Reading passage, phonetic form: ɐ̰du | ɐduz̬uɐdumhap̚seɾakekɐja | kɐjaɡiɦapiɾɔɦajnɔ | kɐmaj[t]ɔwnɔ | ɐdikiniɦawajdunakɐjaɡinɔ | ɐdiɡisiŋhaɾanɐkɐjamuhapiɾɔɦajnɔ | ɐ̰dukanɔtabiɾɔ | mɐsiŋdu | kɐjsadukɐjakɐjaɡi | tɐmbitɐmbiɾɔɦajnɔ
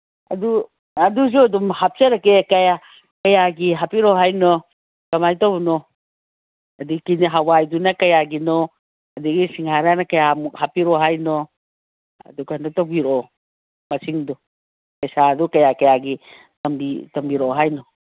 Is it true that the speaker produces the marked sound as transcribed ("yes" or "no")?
yes